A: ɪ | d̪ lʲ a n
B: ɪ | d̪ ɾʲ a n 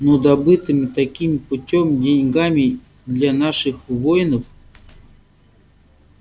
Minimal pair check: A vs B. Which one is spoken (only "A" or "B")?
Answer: A